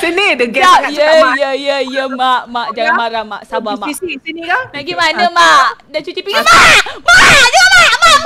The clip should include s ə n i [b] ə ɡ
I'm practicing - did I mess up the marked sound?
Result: yes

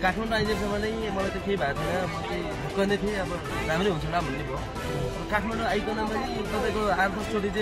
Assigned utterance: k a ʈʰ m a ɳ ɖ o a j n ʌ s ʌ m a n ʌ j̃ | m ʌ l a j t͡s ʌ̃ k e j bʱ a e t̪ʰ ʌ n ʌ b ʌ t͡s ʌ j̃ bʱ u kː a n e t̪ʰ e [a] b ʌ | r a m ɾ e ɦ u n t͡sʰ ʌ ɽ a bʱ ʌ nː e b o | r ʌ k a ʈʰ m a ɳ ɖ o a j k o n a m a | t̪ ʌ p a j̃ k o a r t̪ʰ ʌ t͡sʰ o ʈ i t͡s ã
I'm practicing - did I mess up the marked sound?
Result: yes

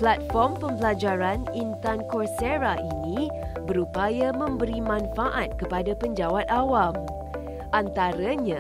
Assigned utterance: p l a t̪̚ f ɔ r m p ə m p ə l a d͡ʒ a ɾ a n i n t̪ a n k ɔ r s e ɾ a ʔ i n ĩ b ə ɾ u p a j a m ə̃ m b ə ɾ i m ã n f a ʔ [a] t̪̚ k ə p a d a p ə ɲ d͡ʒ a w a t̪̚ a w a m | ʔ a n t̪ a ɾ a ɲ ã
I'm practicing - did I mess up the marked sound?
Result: no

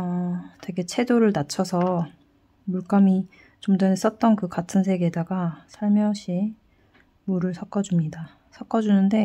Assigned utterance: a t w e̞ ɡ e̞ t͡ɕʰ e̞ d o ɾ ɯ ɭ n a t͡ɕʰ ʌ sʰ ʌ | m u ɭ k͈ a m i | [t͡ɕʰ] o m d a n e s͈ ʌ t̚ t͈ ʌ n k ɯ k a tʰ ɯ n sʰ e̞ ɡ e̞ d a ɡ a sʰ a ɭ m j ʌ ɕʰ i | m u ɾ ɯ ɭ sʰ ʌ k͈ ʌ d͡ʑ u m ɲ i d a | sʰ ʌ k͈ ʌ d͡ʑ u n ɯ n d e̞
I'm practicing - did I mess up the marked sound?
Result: yes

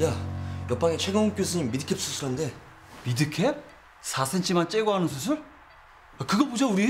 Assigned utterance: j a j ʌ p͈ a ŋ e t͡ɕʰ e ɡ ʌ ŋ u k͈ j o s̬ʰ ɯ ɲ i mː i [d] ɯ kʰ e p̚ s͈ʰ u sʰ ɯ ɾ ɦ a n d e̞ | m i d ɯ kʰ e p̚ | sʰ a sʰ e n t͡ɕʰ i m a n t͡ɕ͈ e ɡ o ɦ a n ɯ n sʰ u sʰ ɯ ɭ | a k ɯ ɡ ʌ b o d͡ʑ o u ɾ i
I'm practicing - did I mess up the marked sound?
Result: no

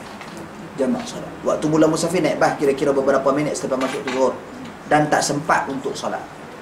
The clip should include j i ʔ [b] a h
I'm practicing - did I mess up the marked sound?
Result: no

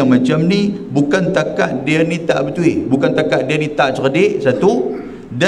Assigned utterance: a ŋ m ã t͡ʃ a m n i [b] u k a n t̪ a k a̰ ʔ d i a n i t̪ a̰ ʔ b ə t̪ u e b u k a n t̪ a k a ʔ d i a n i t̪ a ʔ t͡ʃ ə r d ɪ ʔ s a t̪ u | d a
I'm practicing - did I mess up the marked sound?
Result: no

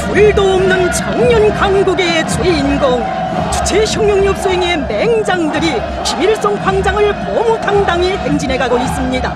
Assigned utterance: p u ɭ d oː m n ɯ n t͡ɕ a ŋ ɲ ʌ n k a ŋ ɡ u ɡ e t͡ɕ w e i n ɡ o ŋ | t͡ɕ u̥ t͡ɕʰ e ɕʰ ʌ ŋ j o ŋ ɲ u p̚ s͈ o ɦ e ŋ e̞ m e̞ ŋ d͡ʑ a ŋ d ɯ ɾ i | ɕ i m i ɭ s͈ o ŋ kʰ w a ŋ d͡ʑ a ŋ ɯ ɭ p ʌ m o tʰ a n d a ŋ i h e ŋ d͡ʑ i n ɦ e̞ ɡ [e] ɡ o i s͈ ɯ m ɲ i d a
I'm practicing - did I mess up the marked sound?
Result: yes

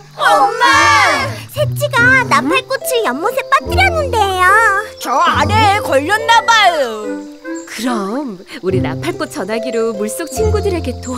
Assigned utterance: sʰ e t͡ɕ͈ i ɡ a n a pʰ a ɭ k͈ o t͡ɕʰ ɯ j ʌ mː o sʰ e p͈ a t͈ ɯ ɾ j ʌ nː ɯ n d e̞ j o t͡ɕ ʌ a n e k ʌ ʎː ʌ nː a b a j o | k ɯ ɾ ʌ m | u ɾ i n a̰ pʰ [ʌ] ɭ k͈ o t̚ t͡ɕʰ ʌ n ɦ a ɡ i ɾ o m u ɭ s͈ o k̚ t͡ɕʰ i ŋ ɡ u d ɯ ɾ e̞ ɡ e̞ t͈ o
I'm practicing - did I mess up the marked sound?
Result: yes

